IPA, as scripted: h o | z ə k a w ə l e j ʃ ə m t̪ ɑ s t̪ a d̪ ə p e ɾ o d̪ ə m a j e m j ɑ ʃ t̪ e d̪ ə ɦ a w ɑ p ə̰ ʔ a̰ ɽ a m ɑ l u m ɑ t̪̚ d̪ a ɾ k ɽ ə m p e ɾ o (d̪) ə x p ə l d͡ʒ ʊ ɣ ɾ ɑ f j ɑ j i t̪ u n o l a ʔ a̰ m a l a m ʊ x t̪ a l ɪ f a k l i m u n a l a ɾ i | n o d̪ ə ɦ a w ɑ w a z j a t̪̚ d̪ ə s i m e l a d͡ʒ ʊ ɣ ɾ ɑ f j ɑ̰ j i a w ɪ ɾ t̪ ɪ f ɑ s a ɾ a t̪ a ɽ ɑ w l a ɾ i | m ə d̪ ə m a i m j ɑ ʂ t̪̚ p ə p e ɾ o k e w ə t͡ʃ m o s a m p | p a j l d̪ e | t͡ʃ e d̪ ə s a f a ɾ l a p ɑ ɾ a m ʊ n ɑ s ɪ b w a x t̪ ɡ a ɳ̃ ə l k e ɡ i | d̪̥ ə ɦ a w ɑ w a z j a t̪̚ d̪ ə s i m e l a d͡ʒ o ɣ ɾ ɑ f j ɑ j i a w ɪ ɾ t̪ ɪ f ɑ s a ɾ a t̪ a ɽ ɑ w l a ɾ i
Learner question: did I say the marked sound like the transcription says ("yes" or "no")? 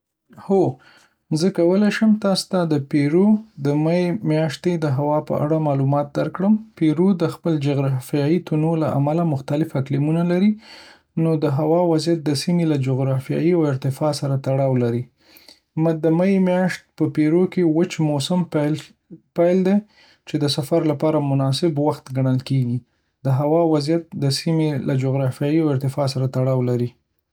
yes